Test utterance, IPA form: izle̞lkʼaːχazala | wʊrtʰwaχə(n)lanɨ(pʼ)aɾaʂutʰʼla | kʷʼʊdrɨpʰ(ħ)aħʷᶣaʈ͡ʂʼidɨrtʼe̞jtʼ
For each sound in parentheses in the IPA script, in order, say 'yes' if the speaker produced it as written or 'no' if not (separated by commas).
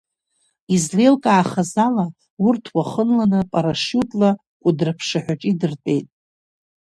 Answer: yes, yes, no